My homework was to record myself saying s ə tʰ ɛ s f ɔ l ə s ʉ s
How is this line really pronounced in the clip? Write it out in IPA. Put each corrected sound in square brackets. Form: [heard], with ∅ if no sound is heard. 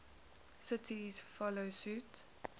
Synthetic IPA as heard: s ə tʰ [i] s f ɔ l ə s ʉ [t]